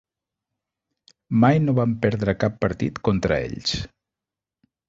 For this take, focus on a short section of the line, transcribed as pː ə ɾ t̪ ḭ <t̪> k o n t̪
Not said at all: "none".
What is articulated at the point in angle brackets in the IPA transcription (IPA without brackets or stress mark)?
t̪